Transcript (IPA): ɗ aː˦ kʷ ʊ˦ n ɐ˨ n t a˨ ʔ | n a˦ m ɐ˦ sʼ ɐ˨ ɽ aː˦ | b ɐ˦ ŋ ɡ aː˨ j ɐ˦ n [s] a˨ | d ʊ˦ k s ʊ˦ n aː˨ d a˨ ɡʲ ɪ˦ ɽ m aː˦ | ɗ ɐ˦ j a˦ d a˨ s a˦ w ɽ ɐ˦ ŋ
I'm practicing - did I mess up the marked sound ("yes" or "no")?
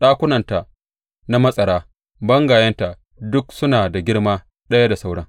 yes